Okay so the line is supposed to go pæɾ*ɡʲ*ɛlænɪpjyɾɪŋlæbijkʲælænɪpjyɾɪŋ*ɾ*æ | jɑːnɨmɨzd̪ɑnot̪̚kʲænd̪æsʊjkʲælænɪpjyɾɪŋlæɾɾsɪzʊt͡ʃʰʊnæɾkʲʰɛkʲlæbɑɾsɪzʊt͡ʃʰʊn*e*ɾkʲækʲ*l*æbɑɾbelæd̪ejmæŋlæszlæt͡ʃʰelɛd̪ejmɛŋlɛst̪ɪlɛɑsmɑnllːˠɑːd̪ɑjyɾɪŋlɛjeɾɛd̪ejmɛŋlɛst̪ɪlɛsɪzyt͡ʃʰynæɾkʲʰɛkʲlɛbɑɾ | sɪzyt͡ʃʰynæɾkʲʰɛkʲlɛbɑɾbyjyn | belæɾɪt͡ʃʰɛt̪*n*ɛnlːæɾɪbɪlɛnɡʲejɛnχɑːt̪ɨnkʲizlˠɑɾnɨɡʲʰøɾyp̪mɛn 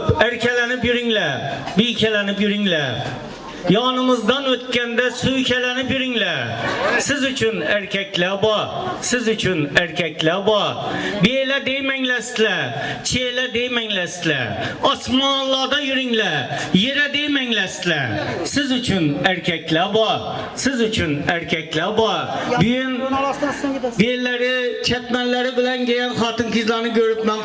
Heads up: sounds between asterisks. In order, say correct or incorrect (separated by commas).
incorrect, incorrect, incorrect, correct, incorrect